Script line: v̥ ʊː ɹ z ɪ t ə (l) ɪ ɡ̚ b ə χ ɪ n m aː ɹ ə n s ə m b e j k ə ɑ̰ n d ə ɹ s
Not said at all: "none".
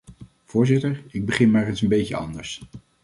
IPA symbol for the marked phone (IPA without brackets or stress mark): ɹ